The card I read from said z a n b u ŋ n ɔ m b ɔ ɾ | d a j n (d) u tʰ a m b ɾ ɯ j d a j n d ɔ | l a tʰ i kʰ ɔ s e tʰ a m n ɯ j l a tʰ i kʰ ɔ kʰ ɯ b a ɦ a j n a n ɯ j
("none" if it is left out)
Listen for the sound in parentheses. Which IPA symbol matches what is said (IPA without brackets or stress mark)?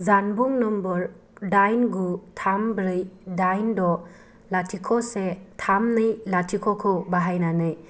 ɡ